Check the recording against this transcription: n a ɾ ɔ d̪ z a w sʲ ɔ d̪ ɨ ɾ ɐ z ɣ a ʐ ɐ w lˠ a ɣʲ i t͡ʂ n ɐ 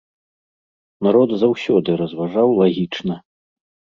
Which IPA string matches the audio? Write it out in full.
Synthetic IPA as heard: n a ɾ ɔ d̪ z a w sʲ ɔ d̪ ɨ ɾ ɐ z v a ʐ a w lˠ a ɣʲ i t͡ʂ n ɐ